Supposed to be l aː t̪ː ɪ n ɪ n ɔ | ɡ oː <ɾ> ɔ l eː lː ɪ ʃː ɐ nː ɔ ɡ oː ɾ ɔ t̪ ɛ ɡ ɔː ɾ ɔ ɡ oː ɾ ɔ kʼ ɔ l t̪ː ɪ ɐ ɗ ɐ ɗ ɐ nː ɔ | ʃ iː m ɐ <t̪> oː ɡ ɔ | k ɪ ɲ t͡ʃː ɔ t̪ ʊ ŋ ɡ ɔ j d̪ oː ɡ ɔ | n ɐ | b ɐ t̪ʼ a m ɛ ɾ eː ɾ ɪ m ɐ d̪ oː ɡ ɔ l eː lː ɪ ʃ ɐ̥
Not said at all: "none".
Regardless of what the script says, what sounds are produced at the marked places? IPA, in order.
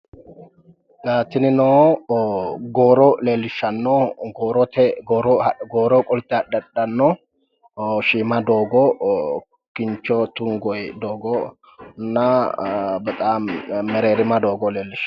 ɾ, d̪

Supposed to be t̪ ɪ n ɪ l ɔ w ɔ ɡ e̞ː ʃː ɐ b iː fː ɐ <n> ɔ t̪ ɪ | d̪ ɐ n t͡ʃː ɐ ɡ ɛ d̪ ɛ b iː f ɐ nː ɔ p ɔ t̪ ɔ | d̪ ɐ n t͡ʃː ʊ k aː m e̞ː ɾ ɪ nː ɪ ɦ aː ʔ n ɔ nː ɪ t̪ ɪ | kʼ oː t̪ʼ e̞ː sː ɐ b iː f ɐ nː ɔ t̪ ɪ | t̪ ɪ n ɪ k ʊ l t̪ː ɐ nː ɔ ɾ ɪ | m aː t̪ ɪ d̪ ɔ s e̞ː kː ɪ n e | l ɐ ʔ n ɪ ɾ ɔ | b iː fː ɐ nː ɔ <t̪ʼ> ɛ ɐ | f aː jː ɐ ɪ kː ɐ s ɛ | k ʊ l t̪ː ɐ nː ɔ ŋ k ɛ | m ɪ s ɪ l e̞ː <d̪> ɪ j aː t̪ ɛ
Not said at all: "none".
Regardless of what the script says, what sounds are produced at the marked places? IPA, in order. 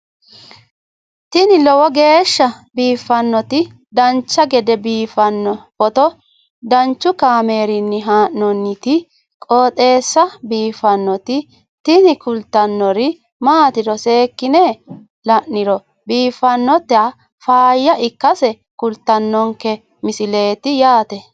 nː, t̪, t̪

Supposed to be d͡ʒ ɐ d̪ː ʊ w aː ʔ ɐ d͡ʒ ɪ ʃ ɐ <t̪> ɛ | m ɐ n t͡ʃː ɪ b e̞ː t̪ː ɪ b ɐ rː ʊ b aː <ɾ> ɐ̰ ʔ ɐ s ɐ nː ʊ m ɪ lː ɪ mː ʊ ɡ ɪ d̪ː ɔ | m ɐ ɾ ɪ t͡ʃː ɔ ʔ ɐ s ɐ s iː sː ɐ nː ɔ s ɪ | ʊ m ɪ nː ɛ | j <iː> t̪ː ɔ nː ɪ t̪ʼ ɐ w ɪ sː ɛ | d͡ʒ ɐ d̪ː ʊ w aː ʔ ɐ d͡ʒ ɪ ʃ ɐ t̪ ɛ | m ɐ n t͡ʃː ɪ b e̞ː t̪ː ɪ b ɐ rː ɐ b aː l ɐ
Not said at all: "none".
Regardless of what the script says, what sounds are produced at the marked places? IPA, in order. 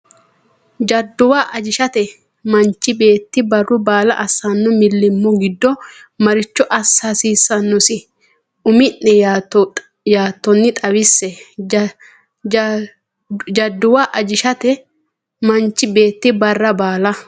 t̪, l, aː

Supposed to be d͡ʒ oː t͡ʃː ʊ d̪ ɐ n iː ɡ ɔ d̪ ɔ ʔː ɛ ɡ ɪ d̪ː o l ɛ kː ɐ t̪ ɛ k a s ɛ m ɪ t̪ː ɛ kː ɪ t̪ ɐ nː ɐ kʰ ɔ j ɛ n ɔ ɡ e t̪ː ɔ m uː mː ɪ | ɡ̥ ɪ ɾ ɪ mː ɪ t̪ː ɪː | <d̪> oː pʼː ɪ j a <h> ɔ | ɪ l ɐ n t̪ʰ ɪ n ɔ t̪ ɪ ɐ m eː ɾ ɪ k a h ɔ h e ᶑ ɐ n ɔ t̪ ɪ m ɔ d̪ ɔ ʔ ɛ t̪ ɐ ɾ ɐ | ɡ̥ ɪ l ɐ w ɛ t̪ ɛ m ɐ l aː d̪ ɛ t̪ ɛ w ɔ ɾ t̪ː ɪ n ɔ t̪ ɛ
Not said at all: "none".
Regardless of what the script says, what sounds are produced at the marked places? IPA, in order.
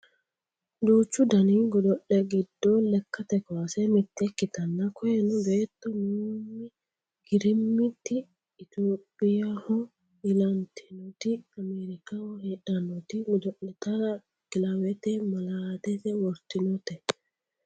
t̪, h

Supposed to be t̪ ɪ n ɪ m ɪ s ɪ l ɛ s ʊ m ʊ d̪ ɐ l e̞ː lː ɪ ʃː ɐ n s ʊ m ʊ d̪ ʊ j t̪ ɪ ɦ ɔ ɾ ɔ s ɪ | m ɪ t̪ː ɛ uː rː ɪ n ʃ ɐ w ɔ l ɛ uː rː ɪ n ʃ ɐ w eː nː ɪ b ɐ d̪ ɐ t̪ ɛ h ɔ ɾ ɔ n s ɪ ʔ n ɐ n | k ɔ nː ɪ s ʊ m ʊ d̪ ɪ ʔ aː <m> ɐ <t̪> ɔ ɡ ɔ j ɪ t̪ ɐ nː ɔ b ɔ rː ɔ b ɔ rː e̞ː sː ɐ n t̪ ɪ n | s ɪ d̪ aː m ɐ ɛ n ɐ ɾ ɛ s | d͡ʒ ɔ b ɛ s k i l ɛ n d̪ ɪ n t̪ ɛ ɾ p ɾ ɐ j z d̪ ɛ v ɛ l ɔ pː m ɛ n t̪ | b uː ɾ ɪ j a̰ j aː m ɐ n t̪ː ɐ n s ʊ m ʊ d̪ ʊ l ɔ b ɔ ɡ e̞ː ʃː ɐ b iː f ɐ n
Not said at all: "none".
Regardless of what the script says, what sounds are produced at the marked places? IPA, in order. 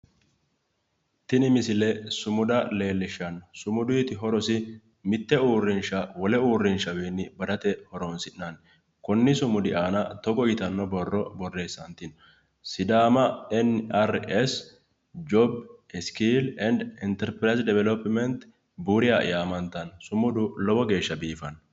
n, t̪

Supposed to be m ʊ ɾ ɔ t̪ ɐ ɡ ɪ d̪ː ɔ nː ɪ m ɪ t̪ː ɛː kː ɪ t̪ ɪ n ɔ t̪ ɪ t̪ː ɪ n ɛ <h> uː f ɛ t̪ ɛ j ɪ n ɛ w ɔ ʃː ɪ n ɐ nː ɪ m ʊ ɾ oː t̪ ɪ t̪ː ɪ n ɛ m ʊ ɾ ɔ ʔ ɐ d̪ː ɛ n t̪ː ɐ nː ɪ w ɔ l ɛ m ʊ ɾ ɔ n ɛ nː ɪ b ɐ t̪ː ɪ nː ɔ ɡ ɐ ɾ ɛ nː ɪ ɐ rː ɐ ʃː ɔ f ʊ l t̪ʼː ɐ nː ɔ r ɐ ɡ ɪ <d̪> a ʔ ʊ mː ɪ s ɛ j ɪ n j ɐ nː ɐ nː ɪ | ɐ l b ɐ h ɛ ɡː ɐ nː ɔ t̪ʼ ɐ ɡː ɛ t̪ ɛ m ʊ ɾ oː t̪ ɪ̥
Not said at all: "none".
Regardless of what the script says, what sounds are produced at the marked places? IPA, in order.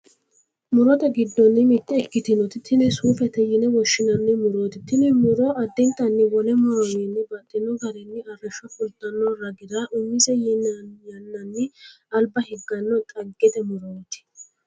s, d̪

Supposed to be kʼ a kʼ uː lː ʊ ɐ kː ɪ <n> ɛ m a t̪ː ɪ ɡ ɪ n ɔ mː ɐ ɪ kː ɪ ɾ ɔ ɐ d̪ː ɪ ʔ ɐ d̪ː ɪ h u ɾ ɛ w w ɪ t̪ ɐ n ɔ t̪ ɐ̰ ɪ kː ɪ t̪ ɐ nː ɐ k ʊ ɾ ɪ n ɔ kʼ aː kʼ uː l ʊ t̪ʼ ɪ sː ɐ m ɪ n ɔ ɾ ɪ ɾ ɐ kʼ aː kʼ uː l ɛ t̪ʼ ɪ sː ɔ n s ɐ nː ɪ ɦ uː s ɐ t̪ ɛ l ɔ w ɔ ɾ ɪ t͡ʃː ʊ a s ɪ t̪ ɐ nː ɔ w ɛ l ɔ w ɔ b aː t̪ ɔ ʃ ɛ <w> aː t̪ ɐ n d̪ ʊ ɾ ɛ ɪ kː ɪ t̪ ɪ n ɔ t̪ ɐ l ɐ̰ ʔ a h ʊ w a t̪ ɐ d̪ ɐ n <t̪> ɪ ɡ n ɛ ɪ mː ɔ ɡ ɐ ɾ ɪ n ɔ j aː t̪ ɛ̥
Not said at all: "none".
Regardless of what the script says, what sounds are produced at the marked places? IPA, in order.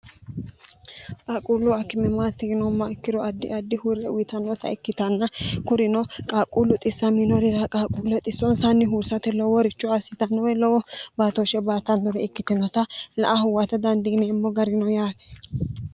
m, b, d̪

